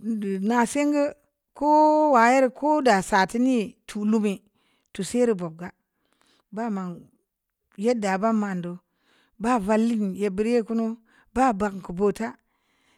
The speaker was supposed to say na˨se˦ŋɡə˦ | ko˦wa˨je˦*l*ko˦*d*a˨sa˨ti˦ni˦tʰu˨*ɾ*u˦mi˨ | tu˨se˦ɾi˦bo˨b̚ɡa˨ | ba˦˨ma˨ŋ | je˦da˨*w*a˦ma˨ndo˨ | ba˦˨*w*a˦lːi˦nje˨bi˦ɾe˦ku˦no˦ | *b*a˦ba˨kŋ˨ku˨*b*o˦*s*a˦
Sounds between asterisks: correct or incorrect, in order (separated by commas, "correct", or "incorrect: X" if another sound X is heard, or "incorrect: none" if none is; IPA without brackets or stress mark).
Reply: incorrect: ɾ, correct, incorrect: l, incorrect: b, incorrect: v, correct, correct, incorrect: t